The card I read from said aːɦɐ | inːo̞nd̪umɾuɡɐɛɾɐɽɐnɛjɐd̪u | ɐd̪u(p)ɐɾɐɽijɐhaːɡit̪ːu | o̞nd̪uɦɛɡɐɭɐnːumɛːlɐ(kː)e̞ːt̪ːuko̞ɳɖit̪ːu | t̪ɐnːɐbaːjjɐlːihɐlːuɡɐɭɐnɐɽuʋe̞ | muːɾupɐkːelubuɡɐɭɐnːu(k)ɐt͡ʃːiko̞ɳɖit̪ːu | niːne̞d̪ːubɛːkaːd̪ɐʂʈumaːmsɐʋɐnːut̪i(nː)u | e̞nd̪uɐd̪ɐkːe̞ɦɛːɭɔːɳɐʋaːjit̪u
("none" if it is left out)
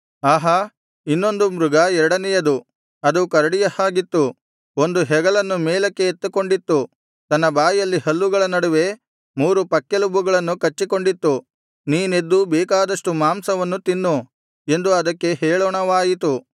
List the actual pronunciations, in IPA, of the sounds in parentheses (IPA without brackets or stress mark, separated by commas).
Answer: k, kː, k, nː